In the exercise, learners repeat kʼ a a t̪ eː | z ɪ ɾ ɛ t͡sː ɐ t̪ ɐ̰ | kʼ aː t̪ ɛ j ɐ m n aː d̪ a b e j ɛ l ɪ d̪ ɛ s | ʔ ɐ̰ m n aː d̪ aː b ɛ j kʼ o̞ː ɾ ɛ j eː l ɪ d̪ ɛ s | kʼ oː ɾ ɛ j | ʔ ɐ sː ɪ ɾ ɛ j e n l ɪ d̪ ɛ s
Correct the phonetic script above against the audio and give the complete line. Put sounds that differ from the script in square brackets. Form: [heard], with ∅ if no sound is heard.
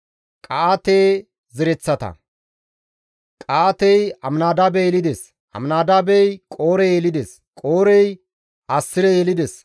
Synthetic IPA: kʼ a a t̪ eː | z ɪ ɾ ɛ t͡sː ɐ t̪ ɐ̰ | kʼ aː t̪ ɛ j ɐ m n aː d̪ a b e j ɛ l ɪ d̪ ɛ s | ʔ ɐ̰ m n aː d̪ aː b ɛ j kʼ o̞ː ɾ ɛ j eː l ɪ d̪ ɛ s | kʼ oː ɾ ɛ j | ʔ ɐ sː ɪ ɾ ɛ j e [∅] l ɪ d̪ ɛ s